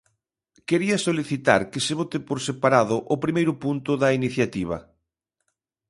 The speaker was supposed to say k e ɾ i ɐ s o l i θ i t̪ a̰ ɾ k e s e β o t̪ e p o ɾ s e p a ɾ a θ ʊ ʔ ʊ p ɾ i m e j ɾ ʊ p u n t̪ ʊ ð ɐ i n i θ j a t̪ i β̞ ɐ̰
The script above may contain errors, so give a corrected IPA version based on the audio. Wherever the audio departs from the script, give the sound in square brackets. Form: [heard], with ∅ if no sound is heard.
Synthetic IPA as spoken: k e ɾ i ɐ s o l i θ i t̪ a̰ ɾ k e s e β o t̪ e p o ɾ s e p a ɾ a [ð] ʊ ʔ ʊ p ɾ i m e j ɾ ʊ p u n t̪ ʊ ð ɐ i n i θ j a t̪ i β̞ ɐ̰